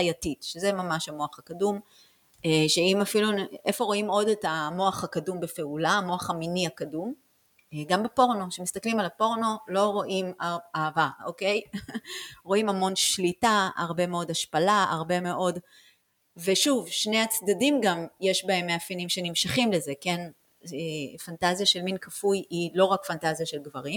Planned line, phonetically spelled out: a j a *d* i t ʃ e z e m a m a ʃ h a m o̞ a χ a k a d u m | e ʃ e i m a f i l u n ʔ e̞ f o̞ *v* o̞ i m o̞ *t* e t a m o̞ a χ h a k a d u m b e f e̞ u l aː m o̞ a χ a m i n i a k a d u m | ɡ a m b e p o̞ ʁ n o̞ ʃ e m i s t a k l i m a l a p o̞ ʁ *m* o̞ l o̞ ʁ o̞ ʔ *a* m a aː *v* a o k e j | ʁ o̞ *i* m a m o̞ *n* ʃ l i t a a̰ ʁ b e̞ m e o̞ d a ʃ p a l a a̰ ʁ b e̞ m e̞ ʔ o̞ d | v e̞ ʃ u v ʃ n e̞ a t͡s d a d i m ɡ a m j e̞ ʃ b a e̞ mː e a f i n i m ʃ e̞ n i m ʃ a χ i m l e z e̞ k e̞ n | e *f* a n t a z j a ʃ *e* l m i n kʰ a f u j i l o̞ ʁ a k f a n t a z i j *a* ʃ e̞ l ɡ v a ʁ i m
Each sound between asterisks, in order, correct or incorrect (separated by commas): incorrect, incorrect, incorrect, incorrect, incorrect, correct, correct, correct, correct, correct, correct